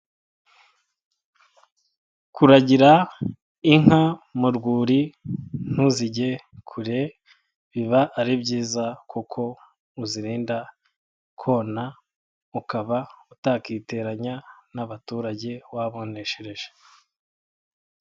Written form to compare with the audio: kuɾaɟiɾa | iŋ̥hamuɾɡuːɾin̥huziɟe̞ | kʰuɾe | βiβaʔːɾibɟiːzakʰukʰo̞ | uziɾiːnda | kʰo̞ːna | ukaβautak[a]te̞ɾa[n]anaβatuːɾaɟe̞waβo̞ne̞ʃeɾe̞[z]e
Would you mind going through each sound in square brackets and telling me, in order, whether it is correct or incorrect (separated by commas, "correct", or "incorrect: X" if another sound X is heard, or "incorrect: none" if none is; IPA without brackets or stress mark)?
incorrect: i, incorrect: ɲ, incorrect: ʒ